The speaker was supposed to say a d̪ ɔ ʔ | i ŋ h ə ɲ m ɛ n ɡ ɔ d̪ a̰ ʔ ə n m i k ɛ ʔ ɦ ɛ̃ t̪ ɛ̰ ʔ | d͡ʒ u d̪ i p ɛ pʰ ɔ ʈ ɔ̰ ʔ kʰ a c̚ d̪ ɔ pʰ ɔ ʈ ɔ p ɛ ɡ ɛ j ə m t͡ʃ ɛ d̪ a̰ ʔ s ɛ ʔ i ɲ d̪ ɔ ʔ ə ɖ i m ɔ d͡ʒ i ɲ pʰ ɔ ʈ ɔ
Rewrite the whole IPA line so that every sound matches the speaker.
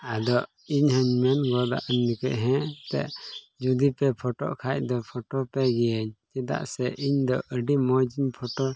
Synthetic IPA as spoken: a d̪ ɔ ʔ | i ɲ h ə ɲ m ɛ n ɡ ɔ d̪ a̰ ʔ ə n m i k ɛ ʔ ɦ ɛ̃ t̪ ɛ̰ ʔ | d͡ʒ u d̪ i p ɛ pʰ ɔ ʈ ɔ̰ ʔ kʰ a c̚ d̪ ɔ pʰ ɔ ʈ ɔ p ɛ ɡ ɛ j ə ɲ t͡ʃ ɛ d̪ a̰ ʔ s ɛ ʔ i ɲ d̪ ɔ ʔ ə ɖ i m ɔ d͡ʒ i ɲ pʰ ɔ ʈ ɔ